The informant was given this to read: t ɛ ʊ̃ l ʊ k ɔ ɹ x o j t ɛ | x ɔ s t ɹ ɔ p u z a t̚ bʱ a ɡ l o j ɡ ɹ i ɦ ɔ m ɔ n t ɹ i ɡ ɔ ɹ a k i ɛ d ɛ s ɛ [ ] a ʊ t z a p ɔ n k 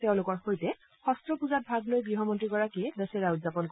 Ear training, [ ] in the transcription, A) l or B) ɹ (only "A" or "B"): B